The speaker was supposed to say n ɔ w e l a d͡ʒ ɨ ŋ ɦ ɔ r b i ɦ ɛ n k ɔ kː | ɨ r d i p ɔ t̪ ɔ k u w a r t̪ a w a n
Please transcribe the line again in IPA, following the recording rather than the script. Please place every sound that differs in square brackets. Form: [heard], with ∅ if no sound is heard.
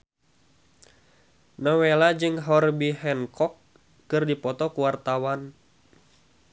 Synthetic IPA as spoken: n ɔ w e l a d͡ʒ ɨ ŋ ɦ ɔ r b i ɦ ɛ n k ɔ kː | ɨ r d i p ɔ t̪ ɔ k u w a r t̪ a w a n

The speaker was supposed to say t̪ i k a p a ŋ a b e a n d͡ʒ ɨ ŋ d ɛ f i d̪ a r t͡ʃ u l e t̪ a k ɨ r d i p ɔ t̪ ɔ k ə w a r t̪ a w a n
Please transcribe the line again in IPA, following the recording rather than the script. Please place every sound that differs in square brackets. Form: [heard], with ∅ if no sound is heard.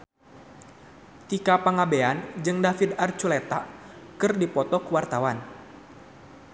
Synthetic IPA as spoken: t̪ i k a p a ŋ a b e a n d͡ʒ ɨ ŋ d [a] f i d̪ a r t͡ʃ u l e t̪ a k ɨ r d i p ɔ t̪ ɔ k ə w a r t̪ a w a n

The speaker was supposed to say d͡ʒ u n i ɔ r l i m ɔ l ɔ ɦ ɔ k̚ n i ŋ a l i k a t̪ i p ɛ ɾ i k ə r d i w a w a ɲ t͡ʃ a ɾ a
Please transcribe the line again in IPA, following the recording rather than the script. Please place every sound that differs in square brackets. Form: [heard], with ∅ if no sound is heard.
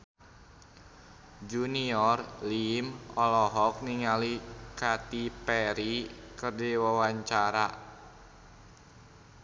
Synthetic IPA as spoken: d͡ʒ u n i ɔ r l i m ɔ l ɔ ɦ ɔ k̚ n i ŋ a l i k a t̪ i p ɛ ɾ i k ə r d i w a w a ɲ t͡ʃ a ɾ a

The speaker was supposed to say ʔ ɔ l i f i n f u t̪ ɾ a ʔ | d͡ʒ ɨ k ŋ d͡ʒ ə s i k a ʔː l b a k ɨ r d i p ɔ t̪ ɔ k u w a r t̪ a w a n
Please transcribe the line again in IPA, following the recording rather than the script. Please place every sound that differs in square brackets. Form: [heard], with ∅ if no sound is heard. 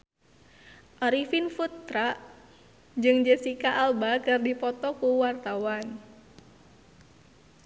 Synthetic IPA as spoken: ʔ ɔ [ɾ] i f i n f u t̪ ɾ a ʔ | d͡ʒ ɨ [∅] ŋ d͡ʒ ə s i k a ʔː l b a k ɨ r d i p ɔ t̪ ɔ k u w a r t̪ a w a n

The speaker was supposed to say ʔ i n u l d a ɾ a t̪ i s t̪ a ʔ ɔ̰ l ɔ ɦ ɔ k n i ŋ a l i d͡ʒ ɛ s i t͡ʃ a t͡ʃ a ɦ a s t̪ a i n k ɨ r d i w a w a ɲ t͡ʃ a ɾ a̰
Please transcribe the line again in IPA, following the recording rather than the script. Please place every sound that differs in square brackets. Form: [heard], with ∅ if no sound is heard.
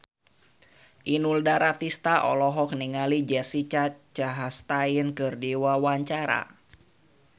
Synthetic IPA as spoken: ʔ i n u l d a ɾ a t̪ i s t̪ a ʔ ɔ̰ l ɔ ɦ ɔ k n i ŋ a l i d͡ʒ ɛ s i t͡ʃ a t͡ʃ a ɦ a s t̪ a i n k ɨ r d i w a w a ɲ t͡ʃ a ɾ a̰

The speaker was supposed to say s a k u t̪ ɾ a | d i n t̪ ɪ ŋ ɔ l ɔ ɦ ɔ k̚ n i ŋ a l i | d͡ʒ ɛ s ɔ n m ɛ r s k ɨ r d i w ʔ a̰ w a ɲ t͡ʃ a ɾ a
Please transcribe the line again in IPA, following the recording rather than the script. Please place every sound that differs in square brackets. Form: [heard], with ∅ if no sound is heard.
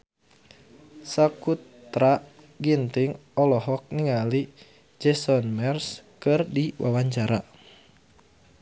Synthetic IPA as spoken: s a k u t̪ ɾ a | [ɡ] i n t̪ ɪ ŋ ɔ l ɔ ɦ ɔ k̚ n i ŋ a l i | d͡ʒ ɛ s ɔ n m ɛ r s k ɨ r d i w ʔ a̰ w a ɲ t͡ʃ a ɾ a

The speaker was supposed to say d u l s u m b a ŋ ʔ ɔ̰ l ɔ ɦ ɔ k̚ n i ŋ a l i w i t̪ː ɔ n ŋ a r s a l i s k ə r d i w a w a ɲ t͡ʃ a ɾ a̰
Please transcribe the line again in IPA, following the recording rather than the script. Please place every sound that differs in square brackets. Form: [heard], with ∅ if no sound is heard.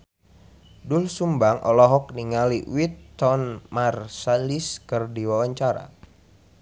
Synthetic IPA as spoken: d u l s u m b a ŋ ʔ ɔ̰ l ɔ ɦ ɔ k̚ n i ŋ a l i w i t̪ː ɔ n [m] a r s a l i s k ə r d i w a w a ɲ t͡ʃ a ɾ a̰

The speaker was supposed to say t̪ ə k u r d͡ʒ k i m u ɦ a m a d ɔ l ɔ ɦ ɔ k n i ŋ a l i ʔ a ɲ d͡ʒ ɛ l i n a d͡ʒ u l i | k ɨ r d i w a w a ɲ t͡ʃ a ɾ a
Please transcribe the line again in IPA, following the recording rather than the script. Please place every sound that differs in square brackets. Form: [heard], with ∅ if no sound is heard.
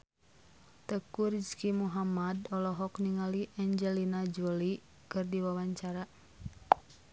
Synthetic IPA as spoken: t̪ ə k u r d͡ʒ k i m u ɦ a m a d ɔ l ɔ ɦ ɔ k n i ŋ a l i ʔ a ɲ d͡ʒ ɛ l i n a d͡ʒ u l i | k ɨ r d i w a w a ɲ t͡ʃ a ɾ a

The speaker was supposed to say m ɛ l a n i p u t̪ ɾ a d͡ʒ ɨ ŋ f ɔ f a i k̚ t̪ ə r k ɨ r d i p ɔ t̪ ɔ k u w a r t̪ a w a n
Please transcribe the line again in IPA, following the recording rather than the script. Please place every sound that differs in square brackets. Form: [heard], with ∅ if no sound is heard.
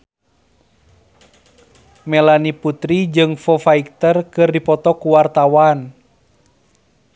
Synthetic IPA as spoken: m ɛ l a n i p u t̪ ɾ [i] d͡ʒ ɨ ŋ f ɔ f a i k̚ t̪ ə r k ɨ r d i p ɔ t̪ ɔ k u w a r t̪ a w a n

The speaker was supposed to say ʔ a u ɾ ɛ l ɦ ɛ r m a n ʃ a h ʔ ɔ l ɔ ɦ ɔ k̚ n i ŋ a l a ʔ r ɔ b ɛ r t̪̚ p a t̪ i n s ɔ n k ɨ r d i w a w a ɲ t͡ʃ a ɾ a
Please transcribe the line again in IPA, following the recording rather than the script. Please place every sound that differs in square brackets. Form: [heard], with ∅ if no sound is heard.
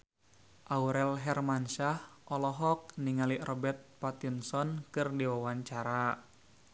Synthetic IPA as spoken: ʔ a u ɾ ɛ l ɦ ɛ r m a n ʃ a h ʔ ɔ l ɔ ɦ ɔ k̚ n i ŋ a l [i] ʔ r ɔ b ɛ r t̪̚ p a t̪ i n s ɔ n k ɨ r d i w a w a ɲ t͡ʃ a ɾ a

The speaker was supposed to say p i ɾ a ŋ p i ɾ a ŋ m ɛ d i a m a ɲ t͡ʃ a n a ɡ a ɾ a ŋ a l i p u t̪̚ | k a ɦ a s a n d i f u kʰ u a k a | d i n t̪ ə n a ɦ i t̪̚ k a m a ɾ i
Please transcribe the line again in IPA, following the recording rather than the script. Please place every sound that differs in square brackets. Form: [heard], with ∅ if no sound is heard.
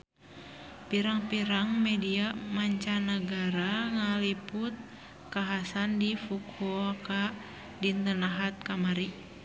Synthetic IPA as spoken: p i ɾ a ŋ p i ɾ a ŋ m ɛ d i a m a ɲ t͡ʃ a n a ɡ a ɾ a ŋ a l i p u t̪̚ | k a ɦ a s a n d i f u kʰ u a k a | d i n t̪ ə n a ɦ [a] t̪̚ k a m a ɾ i

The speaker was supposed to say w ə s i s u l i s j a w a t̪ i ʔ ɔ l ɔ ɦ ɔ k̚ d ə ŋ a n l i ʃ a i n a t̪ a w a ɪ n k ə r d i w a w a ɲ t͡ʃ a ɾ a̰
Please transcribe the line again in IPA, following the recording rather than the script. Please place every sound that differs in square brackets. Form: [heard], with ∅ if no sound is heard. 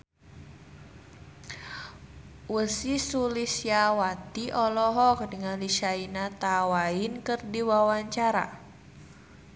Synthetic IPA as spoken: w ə s i s u l i s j a w a t̪ i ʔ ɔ l ɔ ɦ ɔ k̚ d ə ŋ a n l i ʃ a i n a t̪ a w a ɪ n k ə r d i w a w a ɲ t͡ʃ a ɾ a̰

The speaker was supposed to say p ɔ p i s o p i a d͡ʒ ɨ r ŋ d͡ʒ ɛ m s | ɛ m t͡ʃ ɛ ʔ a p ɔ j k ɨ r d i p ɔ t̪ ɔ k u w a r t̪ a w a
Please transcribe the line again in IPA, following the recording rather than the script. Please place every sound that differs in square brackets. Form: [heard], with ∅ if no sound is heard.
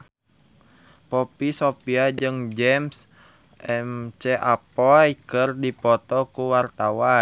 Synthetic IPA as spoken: p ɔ p i s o p i a d͡ʒ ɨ [∅] ŋ d͡ʒ ɛ m s | ɛ m t͡ʃ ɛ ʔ a p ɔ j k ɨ r d i p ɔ t̪ ɔ k u w a r t̪ a w a

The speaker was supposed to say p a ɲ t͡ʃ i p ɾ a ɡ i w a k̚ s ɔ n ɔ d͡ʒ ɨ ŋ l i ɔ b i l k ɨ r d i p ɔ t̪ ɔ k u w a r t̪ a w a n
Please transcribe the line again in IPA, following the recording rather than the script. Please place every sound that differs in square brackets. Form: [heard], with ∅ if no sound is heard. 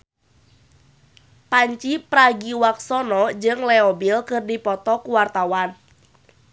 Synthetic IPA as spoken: p a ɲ t͡ʃ i p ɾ a ɡ i w a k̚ s ɔ n ɔ d͡ʒ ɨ ŋ l [ɛ] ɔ b i l k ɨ r d i p ɔ t̪ ɔ k u w a r t̪ a w a n

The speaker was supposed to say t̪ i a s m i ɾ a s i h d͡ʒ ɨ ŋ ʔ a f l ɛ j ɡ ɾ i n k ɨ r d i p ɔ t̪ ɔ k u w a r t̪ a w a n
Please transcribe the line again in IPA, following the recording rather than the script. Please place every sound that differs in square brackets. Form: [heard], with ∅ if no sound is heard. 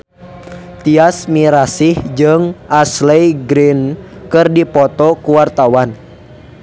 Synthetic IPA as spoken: t̪ i a s m i ɾ a s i h d͡ʒ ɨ ŋ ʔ a [s] l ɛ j ɡ ɾ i n k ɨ r d i p ɔ t̪ ɔ k u w a r t̪ a w a n

